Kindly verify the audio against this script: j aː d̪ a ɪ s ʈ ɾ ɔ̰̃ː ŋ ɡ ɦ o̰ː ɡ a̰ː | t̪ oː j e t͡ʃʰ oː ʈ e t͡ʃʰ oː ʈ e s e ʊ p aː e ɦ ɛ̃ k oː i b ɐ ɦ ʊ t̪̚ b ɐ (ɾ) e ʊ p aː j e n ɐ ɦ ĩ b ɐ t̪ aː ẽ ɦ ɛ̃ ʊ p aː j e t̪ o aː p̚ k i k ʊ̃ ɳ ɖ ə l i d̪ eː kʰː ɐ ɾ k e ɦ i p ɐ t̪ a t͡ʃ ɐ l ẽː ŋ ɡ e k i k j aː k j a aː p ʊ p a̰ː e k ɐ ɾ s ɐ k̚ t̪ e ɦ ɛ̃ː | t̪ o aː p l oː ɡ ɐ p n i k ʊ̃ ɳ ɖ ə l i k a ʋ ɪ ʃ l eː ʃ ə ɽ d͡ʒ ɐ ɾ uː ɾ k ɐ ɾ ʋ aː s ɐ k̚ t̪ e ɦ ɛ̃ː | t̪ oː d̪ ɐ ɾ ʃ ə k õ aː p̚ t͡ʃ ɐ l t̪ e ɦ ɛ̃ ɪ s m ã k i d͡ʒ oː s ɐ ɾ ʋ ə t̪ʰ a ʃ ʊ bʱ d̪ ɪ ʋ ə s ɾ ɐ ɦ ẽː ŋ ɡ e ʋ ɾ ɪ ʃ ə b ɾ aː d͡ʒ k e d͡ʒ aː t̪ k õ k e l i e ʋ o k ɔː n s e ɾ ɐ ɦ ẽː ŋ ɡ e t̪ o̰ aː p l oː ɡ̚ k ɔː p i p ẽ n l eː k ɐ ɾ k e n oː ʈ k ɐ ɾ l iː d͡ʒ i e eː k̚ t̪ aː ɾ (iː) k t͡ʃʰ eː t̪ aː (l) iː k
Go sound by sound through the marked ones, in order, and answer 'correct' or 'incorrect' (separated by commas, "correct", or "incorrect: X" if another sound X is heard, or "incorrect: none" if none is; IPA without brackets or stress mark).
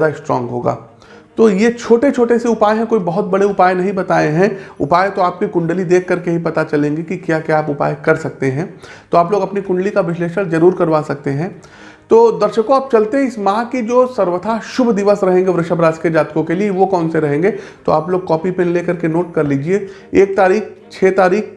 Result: incorrect: ɽ, correct, incorrect: ɾ